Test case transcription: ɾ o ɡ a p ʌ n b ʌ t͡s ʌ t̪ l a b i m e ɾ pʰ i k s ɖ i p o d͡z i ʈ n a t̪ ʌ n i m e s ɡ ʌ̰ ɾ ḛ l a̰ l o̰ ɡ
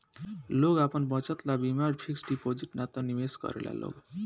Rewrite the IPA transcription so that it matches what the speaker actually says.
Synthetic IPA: l o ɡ a p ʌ n b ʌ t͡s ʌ t̪ l a b i m a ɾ pʰ i k s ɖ i p o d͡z i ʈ n a t̪ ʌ n i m e s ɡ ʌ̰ ɾ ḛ l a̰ l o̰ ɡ